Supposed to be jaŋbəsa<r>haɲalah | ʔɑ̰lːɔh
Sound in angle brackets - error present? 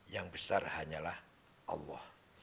no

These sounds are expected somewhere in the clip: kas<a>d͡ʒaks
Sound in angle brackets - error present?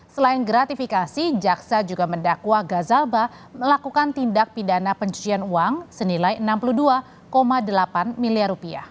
yes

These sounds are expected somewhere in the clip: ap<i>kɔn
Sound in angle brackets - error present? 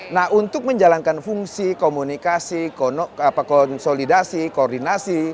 yes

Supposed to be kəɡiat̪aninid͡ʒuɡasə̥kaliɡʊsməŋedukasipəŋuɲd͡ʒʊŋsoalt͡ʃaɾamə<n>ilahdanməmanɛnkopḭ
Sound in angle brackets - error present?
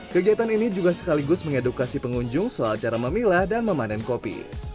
yes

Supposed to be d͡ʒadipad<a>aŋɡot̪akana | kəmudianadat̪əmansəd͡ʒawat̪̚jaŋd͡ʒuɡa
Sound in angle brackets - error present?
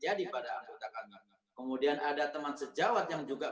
no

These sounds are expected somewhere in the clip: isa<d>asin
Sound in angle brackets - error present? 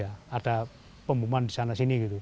yes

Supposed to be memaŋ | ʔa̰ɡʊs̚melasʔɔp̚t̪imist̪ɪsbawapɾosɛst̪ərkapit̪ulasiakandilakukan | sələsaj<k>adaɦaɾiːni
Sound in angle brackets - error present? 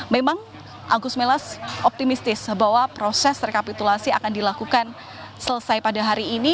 yes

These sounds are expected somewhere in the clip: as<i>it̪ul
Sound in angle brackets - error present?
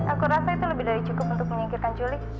yes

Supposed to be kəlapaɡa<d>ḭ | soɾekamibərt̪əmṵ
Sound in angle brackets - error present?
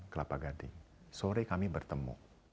no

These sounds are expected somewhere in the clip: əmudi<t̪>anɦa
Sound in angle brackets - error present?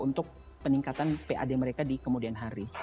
yes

